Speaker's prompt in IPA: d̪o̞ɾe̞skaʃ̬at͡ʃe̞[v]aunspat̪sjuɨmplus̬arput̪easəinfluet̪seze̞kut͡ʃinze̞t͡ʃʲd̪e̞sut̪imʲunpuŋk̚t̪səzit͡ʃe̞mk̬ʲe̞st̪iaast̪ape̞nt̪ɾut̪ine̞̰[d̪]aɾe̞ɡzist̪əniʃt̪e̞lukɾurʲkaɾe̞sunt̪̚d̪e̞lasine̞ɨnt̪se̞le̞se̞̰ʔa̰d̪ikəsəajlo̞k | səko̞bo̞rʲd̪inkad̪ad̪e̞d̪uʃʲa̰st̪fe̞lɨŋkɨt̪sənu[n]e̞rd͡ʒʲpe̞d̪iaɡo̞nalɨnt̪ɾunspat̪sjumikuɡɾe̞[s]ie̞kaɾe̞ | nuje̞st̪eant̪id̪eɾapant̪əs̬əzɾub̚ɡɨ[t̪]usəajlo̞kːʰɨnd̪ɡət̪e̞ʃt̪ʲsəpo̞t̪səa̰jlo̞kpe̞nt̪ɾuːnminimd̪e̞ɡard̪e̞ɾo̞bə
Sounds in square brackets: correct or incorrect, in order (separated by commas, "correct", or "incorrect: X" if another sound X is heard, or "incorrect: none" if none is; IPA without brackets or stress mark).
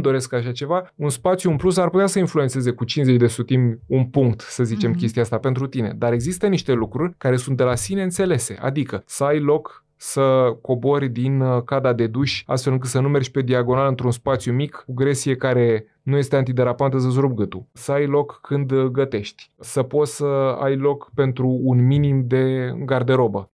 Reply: correct, correct, incorrect: m, correct, correct